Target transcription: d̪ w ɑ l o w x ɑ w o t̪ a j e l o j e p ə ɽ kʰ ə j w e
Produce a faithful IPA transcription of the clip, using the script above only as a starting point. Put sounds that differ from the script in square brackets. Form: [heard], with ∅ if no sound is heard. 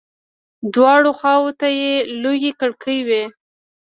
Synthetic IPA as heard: d̪ w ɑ [ɽ] o [∅] x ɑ w o t̪ a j e l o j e [k] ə ɽ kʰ ə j w e